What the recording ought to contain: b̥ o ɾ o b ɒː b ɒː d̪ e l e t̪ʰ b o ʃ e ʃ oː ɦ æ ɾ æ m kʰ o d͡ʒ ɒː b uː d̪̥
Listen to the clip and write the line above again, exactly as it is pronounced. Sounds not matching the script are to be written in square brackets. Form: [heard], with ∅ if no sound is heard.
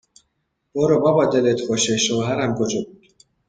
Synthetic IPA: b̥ o ɾ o b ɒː b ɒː d̪ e l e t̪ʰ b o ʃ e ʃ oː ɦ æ ɾ æ m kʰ o d͡ʒ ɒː b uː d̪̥